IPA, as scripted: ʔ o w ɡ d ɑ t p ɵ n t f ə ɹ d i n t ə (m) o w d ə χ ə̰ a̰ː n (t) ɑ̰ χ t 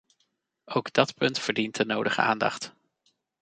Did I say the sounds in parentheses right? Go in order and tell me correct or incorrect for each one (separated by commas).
incorrect, incorrect